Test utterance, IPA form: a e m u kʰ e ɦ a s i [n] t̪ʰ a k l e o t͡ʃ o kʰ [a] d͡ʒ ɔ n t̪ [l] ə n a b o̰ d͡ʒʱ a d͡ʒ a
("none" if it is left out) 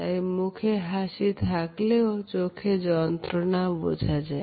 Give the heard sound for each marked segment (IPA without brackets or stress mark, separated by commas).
none, e, ɾ